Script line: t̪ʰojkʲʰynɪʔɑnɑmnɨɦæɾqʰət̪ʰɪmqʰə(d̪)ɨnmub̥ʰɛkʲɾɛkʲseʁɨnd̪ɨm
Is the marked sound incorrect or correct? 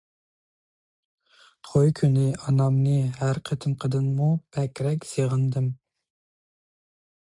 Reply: correct